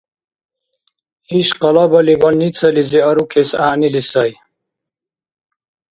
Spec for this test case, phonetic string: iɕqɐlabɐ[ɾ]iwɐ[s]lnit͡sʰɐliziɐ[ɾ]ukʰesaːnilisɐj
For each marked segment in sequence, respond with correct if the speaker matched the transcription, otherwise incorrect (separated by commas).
incorrect, incorrect, correct